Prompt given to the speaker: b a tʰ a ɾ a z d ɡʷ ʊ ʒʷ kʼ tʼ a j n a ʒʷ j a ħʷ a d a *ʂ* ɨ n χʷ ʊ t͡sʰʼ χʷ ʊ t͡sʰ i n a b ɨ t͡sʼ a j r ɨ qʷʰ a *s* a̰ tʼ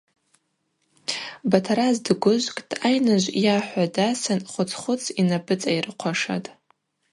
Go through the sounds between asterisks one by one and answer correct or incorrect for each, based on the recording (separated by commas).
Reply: incorrect, incorrect